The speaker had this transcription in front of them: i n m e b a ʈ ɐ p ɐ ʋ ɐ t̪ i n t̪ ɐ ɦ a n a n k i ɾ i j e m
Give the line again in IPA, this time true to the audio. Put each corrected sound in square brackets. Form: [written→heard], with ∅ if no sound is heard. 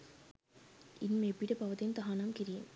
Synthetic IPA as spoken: i n m e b [a→i] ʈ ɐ p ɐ ʋ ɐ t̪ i n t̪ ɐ ɦ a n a [n→m] k i ɾ i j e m